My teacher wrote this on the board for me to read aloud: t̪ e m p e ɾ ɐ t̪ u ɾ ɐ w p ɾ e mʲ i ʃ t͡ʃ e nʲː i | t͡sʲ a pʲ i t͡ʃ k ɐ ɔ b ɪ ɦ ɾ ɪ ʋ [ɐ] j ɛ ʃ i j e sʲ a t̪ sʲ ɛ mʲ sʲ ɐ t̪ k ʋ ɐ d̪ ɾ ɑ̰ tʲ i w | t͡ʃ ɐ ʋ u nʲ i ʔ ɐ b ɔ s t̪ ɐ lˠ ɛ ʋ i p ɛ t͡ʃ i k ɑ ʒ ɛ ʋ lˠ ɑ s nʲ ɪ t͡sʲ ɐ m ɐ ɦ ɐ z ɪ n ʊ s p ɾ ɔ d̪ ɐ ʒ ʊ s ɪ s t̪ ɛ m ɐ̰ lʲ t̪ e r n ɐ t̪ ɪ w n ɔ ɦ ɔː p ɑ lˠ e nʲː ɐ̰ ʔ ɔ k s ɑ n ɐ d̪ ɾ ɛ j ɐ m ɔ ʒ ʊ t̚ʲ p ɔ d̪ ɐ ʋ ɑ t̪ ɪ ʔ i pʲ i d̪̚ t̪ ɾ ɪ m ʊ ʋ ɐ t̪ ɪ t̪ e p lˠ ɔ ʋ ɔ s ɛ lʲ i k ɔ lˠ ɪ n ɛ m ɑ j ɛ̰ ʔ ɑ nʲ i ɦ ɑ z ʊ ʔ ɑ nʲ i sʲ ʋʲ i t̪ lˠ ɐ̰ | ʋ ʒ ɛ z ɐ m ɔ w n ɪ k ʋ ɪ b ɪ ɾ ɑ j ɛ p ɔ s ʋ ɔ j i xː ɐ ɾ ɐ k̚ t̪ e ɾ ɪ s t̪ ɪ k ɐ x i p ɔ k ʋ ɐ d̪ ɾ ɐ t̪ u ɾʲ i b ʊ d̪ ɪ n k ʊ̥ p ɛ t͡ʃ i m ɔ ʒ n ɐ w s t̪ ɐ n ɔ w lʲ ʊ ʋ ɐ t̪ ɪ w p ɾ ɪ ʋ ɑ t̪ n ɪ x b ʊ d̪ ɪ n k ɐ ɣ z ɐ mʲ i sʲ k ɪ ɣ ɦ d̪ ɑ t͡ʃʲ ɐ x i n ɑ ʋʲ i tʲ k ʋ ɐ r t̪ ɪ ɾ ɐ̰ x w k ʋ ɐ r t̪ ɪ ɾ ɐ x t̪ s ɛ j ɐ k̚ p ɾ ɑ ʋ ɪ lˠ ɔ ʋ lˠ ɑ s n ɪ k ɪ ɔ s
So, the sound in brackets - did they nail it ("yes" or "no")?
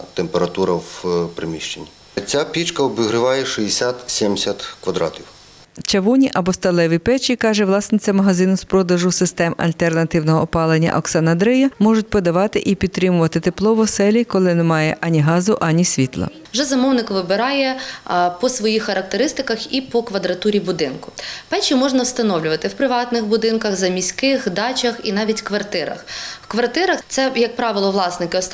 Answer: no